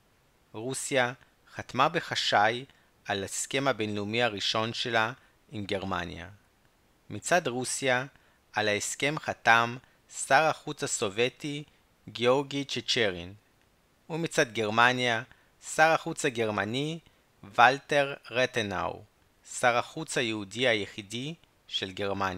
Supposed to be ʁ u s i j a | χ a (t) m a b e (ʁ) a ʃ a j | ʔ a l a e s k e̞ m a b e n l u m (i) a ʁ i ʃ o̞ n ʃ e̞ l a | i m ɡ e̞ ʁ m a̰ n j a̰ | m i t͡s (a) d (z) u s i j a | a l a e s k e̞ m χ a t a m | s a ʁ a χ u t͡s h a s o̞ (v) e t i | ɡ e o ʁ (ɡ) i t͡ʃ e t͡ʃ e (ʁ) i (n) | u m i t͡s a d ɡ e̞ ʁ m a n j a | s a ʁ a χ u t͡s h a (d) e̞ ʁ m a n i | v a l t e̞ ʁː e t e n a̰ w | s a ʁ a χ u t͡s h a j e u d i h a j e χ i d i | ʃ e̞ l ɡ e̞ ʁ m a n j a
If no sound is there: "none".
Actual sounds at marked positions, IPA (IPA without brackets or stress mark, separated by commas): t, χ, i, a, ʁ, v, ɡ, ʁ, n, ɡ